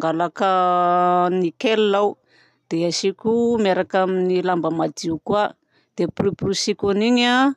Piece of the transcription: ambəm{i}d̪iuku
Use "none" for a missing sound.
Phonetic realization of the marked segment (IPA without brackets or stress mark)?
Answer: a